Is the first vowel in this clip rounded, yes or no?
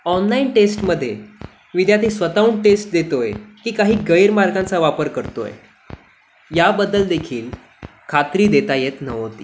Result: yes